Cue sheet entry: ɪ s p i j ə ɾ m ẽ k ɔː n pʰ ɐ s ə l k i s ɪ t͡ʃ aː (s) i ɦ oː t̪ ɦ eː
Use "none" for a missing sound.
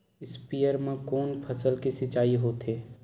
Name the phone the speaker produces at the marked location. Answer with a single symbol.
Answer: none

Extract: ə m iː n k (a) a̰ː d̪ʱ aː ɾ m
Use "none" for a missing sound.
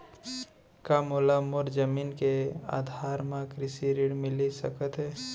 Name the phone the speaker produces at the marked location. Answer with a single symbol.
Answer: e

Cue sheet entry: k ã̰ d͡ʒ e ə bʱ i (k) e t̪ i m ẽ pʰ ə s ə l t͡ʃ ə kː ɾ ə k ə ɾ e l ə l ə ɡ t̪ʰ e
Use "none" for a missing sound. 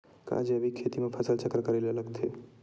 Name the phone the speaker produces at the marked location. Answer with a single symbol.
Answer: kʰ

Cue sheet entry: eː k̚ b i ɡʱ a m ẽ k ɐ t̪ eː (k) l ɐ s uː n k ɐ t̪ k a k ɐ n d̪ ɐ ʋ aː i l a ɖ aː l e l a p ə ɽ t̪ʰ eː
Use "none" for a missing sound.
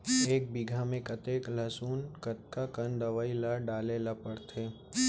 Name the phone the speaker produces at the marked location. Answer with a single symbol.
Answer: k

